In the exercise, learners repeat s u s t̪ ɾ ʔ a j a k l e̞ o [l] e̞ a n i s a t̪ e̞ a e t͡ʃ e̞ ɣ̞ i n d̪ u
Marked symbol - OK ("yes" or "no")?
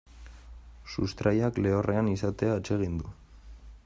no